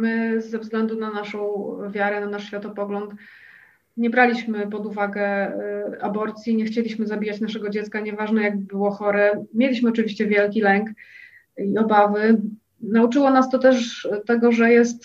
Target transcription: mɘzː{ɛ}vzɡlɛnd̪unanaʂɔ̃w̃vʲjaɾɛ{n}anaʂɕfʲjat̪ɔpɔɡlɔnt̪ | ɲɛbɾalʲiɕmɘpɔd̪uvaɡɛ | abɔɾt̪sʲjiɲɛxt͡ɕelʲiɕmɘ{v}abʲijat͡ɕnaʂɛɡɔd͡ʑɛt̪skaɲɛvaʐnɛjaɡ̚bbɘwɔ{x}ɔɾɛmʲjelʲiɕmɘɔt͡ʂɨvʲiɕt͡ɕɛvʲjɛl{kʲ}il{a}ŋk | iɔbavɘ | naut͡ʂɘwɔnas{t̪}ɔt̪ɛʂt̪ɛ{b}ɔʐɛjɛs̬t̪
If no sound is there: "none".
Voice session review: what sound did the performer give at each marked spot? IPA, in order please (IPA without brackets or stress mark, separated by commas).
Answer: ɛ, n, z, x, kʲ, ɛ, t̪, ɡ